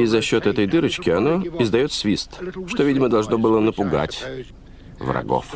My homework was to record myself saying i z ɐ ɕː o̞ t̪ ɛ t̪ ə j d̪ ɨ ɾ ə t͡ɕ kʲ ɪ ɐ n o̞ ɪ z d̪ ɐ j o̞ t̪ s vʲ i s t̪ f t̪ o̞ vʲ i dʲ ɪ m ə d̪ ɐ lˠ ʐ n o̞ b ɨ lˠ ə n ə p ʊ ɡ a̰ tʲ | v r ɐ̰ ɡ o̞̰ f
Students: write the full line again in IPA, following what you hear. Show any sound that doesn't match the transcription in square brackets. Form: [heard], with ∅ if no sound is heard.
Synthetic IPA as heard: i z ɐ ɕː o̞ t̪ ɛ t̪ ə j d̪ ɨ ɾ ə t͡ɕ kʲ ɪ ɐ n o̞ ɪ z d̪ ɐ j o̞ t̪ s vʲ i s t̪ [ʂ] t̪ o̞ vʲ i dʲ ɪ m ə d̪ ɐ lˠ ʐ n o̞ b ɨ lˠ ə n ə p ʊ ɡ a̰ tʲ | v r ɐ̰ ɡ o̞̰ f